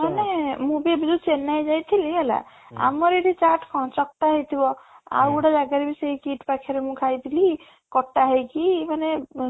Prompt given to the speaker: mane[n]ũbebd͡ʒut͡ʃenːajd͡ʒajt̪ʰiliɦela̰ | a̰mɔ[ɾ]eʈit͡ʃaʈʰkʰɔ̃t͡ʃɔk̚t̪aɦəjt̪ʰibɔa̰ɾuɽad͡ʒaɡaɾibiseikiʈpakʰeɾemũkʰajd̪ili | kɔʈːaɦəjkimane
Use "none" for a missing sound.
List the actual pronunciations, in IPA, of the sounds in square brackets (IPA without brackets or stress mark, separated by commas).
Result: m, ɾ